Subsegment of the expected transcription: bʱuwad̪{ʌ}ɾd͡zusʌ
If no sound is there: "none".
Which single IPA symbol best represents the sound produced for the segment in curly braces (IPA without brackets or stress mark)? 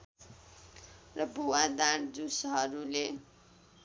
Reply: a